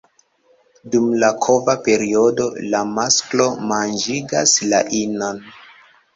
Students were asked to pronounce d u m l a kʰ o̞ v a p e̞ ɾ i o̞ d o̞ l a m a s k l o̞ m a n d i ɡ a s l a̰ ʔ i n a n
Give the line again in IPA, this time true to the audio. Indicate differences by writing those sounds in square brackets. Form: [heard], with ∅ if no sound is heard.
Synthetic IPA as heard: d u m l a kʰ o̞ v a p e̞ ɾ i o̞ d o̞ l a m a s k l o̞ m a n [d͡ʒ] i ɡ a s l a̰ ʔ i n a n